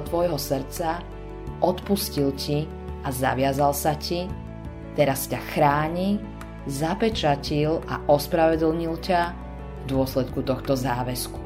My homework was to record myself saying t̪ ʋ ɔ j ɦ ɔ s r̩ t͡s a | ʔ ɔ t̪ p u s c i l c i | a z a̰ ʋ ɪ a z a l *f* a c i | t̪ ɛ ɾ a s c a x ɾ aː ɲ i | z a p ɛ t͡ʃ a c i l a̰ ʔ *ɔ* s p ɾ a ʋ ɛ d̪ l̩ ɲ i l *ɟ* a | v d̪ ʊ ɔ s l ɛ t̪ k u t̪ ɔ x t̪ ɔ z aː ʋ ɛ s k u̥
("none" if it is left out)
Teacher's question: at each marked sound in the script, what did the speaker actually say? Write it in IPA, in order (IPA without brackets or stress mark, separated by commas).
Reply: s, ɔ, c